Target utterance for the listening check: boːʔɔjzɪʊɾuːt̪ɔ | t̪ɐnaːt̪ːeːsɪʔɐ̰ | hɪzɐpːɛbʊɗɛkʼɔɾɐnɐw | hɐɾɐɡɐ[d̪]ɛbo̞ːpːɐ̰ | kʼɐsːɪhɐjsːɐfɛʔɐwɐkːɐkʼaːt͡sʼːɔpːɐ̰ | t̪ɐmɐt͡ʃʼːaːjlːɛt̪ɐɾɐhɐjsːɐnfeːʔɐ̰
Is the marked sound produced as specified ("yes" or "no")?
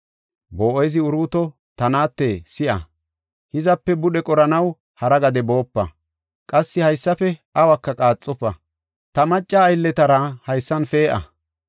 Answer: yes